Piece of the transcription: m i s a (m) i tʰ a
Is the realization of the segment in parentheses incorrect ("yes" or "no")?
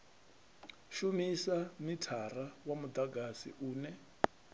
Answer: no